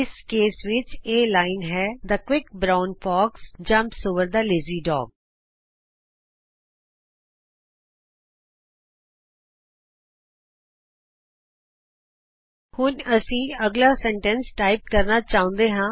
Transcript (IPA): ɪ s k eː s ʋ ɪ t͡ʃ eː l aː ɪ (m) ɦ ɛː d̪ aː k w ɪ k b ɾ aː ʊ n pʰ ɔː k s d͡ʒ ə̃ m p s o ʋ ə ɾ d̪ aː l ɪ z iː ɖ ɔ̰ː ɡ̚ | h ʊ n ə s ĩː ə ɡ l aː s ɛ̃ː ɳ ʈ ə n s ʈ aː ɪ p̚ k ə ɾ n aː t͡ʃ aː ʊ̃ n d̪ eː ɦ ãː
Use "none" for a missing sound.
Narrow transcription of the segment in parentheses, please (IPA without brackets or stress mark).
n